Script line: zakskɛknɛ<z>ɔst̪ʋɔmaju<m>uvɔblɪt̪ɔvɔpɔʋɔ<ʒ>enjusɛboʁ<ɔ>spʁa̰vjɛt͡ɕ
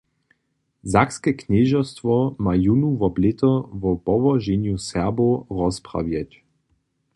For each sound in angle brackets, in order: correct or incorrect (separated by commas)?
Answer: incorrect, incorrect, correct, correct